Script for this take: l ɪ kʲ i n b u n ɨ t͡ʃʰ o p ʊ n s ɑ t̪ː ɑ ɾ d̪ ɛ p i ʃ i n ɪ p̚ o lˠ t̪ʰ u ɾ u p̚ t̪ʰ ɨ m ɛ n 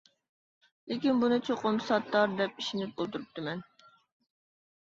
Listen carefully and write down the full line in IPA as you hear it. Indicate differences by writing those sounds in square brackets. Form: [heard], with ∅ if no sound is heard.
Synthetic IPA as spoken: l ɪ kʲ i n b u n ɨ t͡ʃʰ o [q] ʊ [m] s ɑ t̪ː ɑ ɾ d̪ ɛ p i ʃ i n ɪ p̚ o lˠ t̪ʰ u ɾ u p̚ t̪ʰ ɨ m ɛ n